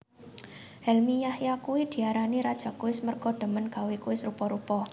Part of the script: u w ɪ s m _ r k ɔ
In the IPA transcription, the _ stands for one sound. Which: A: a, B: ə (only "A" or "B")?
B